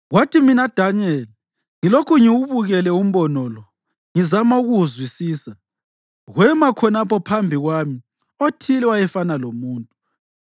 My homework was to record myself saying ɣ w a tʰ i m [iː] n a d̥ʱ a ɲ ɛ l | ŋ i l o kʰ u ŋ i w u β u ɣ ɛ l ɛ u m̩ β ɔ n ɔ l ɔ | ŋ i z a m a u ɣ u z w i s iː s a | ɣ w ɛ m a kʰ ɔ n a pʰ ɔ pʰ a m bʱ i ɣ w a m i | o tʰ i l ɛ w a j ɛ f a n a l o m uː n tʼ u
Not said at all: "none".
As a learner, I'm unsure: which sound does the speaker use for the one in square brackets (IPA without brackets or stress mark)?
i